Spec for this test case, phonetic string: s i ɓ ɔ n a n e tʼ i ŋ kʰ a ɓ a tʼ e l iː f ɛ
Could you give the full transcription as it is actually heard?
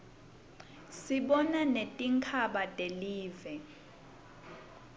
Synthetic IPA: s i ɓ ɔ n a n e tʼ i ŋ kʰ a ɓ a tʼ e l iː v ɛ